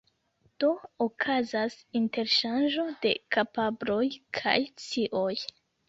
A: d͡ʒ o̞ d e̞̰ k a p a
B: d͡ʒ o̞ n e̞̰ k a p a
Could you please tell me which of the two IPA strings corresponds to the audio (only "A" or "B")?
A